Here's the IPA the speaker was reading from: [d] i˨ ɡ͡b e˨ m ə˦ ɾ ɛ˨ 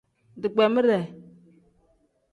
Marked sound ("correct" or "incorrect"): correct